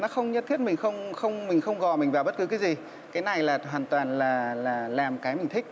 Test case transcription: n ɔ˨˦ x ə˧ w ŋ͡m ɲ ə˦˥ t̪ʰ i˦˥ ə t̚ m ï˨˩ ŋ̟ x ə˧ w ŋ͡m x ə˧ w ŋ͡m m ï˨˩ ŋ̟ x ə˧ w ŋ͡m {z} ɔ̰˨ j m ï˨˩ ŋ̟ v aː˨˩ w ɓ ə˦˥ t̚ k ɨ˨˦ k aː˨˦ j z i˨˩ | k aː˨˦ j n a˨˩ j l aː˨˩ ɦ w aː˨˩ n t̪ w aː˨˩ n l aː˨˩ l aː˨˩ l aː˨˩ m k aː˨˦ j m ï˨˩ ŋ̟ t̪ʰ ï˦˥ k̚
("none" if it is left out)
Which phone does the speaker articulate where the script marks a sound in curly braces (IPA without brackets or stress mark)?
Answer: ɣ